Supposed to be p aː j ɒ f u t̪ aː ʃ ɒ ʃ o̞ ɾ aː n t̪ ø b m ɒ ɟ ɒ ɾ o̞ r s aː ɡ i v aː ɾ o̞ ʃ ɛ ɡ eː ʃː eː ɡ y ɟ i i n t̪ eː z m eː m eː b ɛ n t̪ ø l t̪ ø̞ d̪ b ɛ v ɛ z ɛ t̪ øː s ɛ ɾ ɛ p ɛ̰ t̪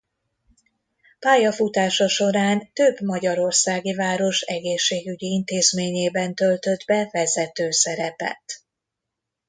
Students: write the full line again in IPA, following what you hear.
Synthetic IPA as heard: p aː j ɒ f u t̪ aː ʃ ɒ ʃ o̞ ɾ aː n t̪ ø b m ɒ ɟ ɒ ɾ o̞ r s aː ɡ i v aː ɾ o̞ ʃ ɛ ɡ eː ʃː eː ɡ y ɟ i i n t̪ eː z m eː ɲ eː b ɛ n t̪ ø l t̪ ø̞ d̪ b ɛ v ɛ z ɛ t̪ øː s ɛ ɾ ɛ p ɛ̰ t̪